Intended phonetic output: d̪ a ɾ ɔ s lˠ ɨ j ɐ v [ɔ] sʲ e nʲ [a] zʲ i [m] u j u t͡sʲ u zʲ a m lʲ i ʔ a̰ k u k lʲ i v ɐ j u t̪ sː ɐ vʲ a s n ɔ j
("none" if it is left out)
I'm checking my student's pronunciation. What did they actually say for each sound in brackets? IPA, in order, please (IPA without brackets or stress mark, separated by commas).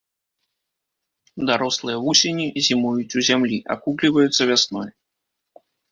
u, i, m